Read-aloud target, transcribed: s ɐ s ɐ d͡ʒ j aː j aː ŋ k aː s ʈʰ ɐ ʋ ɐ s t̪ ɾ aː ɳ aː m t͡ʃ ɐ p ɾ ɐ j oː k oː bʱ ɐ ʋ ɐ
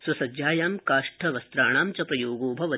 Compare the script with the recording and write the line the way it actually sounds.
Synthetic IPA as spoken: s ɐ s ɐ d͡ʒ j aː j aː m k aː ʂ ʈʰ ɐ ʋ ɐ s t̪ ɾ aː ɳ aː m t͡ʃ ɐ p ɾ ɐ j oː ɡ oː bʱ ɐ ʋ ɐ